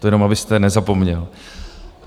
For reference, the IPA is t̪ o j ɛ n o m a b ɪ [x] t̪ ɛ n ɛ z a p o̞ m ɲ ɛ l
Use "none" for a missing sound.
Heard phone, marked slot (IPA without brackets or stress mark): s